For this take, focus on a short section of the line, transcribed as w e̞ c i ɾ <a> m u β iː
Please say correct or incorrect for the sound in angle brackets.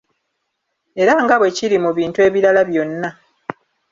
incorrect: i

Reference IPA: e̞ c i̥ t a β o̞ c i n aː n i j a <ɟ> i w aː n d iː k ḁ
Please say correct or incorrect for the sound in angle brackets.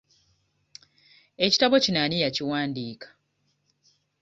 incorrect: c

